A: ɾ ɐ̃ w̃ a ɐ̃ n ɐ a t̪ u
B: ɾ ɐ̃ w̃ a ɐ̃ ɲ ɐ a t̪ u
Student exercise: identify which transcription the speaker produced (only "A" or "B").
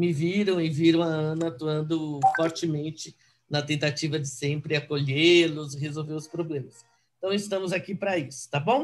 A